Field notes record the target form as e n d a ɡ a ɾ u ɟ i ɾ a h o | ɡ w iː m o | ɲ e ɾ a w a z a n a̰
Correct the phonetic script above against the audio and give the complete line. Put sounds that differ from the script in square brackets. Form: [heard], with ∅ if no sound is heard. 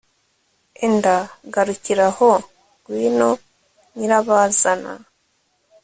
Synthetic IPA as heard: e n d a ɡ a ɾ u [c] i ɾ a h o | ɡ w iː [n] o | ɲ [i] ɾ a [β] a z a n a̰